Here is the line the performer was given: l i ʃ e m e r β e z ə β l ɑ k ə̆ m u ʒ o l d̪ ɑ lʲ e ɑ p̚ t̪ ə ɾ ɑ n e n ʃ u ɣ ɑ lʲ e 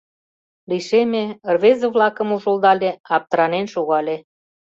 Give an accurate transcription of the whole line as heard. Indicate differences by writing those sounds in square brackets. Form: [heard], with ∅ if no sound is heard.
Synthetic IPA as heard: l i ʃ e m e r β e z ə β l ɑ k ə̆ m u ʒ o l d̪ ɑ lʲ e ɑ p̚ t̪ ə ɾ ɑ n e n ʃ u ɣ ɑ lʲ e